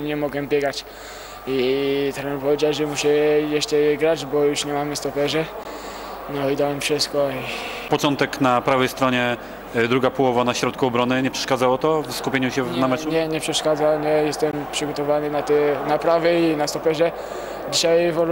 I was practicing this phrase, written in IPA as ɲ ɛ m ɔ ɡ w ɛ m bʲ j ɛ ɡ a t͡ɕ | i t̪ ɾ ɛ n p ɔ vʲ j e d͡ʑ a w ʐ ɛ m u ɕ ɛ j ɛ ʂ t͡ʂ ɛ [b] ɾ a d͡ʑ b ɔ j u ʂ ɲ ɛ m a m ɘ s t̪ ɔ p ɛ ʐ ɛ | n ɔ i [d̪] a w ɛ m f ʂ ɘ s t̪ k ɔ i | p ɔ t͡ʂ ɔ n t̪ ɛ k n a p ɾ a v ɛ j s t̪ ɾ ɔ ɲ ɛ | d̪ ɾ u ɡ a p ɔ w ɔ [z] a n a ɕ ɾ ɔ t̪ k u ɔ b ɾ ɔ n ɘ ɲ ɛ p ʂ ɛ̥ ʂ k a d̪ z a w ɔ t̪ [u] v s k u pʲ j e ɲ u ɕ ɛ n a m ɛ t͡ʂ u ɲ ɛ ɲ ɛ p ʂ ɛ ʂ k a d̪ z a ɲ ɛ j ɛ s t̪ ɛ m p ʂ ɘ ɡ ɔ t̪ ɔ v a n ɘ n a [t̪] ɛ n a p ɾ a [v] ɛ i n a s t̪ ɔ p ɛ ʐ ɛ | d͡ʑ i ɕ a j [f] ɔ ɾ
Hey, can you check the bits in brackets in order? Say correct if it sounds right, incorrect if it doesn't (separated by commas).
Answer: incorrect, correct, incorrect, incorrect, correct, correct, incorrect